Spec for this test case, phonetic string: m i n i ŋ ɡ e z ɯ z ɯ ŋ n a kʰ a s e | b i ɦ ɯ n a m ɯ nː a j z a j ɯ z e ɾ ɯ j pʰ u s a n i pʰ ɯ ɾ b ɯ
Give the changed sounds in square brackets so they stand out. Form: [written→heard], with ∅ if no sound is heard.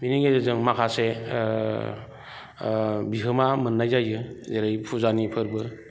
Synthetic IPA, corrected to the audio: m i n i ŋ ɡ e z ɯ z ɯ ŋ [n→m] a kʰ a s e | b i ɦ ɯ [n→m] a m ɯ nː a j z a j ɯ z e ɾ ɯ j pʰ u [s→z] a n i pʰ ɯ ɾ b ɯ